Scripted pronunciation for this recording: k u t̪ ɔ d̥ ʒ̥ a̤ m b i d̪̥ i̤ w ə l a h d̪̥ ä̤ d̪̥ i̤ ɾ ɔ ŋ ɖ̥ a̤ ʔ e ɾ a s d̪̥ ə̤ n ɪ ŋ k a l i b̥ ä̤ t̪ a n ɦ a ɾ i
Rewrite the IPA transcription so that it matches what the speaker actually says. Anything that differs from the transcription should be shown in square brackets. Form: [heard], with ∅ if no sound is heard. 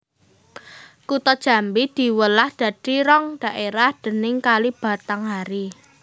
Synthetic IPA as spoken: k u t̪ ɔ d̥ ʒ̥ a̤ m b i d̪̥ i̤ w ə l a h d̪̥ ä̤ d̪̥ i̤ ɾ ɔ ŋ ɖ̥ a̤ ʔ e ɾ a [h] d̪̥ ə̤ n ɪ ŋ k a l i b̥ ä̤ t̪ a [ŋ] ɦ a ɾ i